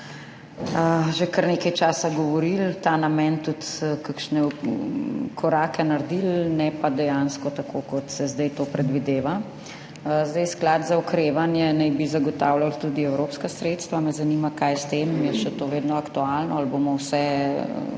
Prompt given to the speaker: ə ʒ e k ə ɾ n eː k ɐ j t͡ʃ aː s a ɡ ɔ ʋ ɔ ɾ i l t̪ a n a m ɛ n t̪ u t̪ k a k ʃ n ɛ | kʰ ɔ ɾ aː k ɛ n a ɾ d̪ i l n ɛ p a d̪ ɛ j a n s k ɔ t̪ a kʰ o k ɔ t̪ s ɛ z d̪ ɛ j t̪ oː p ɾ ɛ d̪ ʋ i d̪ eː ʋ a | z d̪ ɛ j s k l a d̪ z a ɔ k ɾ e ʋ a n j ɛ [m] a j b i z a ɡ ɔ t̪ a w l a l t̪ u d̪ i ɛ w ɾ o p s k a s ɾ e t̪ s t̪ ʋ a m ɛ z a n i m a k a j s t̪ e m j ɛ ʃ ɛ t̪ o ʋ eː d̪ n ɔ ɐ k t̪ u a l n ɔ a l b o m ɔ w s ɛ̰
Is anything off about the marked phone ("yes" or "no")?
yes